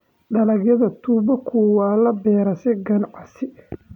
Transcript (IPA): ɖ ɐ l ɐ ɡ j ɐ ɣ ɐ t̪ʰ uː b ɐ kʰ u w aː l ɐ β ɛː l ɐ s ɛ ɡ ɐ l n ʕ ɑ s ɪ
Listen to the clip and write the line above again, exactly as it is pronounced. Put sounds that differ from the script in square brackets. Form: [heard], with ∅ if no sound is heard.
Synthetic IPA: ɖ ɐ l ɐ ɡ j ɐ [ð] ɐ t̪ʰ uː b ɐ kʰ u w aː l ɐ [b] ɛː [ɾ] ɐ s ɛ ɡ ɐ [∅] n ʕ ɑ s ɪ